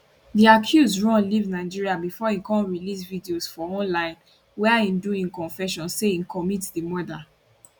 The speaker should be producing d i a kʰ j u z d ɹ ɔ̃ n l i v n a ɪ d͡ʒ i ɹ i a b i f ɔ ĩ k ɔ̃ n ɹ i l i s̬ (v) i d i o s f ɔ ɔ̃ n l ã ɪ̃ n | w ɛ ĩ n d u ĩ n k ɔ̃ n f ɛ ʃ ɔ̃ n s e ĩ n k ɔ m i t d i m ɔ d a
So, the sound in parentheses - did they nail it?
yes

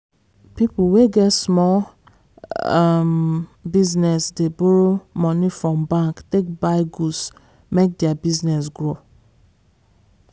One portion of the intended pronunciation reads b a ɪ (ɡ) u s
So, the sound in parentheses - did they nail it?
yes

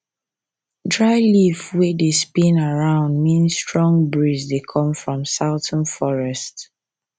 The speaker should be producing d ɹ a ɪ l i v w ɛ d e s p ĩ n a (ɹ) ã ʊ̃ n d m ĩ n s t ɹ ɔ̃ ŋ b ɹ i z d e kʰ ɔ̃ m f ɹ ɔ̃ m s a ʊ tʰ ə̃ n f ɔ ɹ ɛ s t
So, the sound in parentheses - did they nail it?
yes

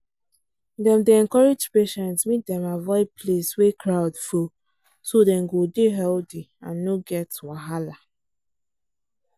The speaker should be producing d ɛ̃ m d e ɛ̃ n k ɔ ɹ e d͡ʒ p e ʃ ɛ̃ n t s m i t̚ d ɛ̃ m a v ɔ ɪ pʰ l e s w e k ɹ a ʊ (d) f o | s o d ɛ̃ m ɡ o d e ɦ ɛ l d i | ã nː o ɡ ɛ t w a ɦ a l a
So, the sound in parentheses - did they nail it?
yes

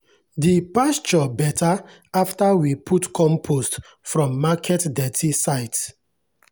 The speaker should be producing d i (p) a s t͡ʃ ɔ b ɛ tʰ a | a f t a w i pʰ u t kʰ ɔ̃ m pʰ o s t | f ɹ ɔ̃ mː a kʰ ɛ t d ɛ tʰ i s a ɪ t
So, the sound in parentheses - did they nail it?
yes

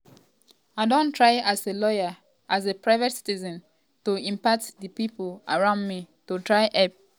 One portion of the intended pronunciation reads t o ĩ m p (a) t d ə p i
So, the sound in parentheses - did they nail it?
yes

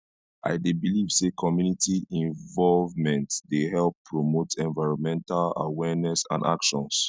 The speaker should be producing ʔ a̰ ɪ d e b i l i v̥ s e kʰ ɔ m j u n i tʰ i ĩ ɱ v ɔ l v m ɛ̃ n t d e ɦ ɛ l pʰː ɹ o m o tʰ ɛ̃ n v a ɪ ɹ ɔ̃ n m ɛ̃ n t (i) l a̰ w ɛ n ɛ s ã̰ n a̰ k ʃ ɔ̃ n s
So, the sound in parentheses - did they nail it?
no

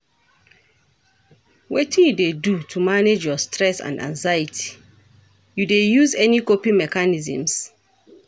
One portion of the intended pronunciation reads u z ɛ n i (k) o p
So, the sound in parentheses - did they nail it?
yes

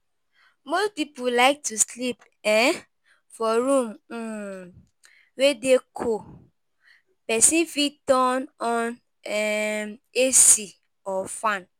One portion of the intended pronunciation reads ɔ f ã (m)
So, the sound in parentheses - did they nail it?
no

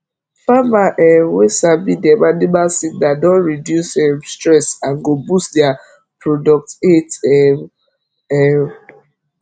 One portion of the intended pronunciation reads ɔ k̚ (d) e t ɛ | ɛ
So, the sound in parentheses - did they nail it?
no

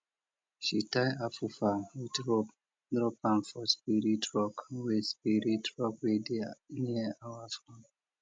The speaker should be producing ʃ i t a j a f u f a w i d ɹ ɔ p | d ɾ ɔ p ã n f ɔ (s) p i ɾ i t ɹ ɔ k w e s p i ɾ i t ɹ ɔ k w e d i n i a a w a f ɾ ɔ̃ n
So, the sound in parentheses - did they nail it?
yes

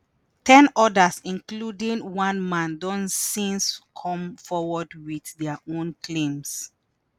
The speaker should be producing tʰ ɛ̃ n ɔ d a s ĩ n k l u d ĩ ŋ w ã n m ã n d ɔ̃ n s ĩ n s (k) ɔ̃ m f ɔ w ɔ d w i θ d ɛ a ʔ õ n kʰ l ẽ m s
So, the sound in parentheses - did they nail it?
no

